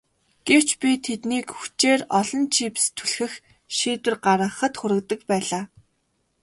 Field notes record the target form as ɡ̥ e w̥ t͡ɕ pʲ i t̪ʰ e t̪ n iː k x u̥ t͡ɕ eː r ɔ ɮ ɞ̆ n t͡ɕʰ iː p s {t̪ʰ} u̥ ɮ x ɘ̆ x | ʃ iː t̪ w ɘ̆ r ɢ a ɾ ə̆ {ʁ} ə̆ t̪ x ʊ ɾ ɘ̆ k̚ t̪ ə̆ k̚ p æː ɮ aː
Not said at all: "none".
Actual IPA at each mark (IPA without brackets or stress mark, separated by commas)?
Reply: t̪ʰ, χ